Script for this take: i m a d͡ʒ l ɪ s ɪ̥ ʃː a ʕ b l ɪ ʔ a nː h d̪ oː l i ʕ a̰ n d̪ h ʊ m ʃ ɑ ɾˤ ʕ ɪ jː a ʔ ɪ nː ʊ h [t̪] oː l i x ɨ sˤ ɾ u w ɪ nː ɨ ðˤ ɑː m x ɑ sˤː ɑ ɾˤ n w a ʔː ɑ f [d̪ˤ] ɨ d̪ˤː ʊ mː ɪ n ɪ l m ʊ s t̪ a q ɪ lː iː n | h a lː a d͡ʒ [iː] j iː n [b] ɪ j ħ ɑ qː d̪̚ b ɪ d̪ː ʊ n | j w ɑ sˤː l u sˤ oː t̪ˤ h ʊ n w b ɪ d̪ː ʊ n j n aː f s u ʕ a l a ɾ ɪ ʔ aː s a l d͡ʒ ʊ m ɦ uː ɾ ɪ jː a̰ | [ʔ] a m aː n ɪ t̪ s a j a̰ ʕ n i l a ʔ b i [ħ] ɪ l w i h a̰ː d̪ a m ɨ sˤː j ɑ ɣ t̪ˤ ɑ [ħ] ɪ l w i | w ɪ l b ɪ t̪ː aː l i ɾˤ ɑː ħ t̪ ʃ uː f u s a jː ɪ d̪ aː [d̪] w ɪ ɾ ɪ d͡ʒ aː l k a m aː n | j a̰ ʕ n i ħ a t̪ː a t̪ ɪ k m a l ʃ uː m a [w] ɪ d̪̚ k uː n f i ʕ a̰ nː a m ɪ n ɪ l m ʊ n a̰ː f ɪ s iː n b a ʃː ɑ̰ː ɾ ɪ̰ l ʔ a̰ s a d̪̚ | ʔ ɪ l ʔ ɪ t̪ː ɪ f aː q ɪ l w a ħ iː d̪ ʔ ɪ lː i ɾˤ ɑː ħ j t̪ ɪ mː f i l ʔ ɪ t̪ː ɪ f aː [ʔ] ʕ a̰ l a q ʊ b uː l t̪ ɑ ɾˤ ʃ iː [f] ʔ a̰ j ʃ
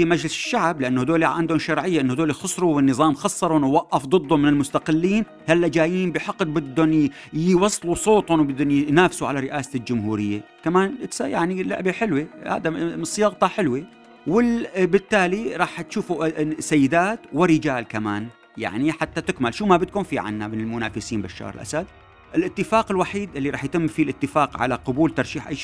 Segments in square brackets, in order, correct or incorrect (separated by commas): incorrect, correct, incorrect, correct, incorrect, correct, correct, incorrect, incorrect, incorrect, incorrect